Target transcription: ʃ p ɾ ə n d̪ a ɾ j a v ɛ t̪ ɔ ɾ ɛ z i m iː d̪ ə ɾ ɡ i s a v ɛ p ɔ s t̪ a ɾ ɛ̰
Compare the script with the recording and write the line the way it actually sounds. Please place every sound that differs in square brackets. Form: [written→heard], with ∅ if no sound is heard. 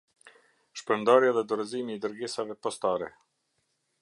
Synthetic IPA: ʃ p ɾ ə n d̪ a ɾ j a [v→ð] ɛ [t̪→d̪] ɔ ɾ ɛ z i m iː d̪ ə ɾ ɡ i s a v ɛ p ɔ s t̪ a ɾ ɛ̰